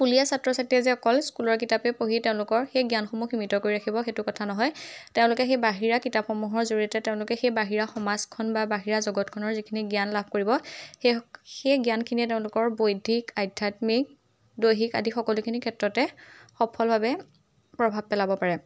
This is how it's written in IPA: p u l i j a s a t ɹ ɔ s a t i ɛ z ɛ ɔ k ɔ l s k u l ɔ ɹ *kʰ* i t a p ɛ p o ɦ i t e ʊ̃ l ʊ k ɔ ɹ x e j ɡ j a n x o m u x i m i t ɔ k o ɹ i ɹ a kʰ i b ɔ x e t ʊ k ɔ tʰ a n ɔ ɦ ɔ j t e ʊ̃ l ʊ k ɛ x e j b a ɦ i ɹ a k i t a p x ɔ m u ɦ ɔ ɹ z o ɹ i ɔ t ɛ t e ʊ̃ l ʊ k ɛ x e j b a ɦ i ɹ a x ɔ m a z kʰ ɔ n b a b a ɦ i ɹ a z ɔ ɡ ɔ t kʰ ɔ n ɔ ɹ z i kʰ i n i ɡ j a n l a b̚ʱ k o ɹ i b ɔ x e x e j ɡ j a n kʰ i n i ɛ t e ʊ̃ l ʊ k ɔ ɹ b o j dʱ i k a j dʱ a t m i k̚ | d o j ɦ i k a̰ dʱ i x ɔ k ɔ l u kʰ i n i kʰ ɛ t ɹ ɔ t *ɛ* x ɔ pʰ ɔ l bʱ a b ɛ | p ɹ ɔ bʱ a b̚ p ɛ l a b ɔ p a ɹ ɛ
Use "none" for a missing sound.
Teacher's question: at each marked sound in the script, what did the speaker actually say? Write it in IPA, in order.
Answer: k, ɛ

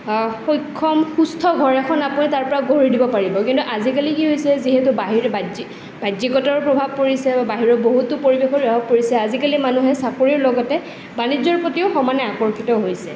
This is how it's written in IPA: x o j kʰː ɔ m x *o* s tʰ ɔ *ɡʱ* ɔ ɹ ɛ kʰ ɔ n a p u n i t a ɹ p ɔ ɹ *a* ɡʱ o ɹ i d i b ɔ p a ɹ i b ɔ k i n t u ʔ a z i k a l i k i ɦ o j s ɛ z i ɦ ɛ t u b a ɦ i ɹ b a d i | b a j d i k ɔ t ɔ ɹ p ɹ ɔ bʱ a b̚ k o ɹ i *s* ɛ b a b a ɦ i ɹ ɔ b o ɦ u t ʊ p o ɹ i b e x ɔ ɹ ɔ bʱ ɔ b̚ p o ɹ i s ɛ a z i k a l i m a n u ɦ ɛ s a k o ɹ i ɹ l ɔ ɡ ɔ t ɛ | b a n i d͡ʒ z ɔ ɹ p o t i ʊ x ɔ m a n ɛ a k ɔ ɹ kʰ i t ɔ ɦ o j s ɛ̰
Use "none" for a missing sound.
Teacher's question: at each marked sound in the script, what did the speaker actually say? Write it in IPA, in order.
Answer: u, ɡʱ, a, s

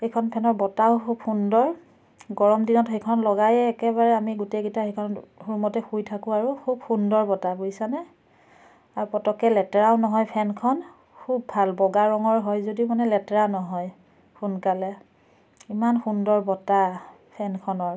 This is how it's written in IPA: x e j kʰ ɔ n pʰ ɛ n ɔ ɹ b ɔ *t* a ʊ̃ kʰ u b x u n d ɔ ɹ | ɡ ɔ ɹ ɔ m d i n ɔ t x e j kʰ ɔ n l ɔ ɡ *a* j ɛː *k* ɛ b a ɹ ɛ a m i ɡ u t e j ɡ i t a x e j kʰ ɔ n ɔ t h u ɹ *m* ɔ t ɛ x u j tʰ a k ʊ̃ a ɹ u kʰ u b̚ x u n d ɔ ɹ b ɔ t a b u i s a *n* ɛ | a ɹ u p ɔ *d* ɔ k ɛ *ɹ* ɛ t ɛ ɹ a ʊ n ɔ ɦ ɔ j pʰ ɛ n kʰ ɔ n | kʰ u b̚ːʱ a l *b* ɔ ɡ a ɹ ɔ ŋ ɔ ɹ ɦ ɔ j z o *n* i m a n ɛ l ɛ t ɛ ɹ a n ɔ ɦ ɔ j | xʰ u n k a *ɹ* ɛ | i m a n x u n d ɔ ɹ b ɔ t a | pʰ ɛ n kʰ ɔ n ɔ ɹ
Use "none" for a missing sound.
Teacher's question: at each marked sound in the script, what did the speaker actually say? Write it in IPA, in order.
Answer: t, a, k, m, n, t, l, b, d, l

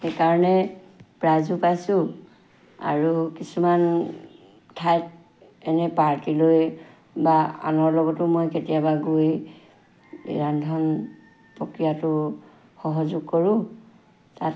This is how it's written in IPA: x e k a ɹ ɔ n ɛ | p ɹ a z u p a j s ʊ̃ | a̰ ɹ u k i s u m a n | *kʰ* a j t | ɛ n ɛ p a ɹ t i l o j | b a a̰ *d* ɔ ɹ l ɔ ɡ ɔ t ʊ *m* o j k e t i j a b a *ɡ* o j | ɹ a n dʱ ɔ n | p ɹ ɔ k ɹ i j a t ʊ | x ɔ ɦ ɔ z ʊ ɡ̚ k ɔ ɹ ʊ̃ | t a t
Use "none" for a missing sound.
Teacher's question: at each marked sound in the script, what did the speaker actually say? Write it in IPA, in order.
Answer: tʰ, n, m, ɡ

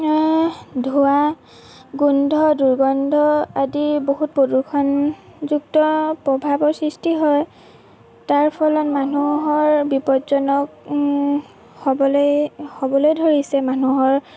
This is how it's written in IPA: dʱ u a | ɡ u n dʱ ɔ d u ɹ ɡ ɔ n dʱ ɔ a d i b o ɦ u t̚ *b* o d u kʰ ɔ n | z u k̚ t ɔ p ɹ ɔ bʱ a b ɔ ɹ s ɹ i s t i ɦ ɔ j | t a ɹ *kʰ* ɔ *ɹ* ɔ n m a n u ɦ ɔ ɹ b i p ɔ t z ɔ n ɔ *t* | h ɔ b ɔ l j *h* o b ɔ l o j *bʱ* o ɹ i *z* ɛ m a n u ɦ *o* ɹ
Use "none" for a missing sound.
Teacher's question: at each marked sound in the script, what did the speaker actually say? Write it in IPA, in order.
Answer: p, pʰ, l, k, h, dʱ, s, ɔ

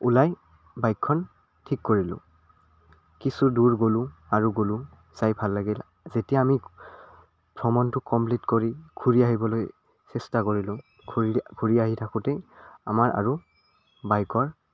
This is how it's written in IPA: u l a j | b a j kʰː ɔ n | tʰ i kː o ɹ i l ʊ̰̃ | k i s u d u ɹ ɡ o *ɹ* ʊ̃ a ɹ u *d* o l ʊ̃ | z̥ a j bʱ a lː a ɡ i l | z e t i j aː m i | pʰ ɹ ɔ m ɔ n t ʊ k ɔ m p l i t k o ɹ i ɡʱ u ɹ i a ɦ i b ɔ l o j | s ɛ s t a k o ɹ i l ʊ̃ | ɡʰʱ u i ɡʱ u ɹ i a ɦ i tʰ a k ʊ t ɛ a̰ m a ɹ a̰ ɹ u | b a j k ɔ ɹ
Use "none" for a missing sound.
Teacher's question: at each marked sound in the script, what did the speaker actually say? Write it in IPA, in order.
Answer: l, ɡ

